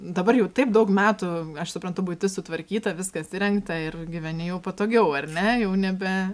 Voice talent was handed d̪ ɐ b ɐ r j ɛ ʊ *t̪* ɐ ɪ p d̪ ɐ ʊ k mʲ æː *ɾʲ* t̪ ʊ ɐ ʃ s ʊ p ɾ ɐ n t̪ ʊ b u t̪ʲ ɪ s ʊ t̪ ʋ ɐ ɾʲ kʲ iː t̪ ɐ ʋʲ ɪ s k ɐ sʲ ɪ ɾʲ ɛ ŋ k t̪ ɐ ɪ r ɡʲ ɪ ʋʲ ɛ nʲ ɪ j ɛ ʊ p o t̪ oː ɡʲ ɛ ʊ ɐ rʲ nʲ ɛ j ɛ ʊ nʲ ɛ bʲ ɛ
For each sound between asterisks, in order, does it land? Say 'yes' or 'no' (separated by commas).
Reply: yes, no